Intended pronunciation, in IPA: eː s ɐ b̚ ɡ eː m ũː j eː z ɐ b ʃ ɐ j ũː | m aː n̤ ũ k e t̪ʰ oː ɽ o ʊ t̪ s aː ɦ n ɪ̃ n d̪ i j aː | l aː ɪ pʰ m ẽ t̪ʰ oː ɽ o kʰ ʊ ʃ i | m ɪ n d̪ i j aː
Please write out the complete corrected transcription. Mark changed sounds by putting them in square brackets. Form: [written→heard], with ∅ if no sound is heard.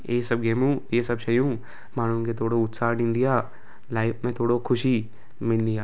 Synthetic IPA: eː s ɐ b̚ ɡ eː m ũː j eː [z→s] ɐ b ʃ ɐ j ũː | m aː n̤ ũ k e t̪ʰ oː ɽ o ʊ t̪ s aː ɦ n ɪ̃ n d̪ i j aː | l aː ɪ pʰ m ẽ t̪ʰ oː ɽ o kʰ ʊ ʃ i | m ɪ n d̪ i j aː